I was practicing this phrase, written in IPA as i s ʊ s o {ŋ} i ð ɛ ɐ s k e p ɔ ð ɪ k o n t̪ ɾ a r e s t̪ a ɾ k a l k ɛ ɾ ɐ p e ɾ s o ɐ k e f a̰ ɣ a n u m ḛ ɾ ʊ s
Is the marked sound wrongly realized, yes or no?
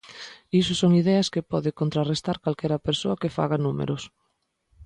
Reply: no